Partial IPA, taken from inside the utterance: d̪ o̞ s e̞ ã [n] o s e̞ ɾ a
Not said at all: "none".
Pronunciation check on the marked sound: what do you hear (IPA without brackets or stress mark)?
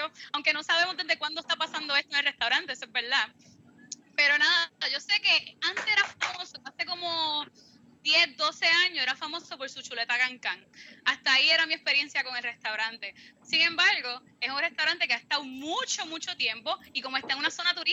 ɲ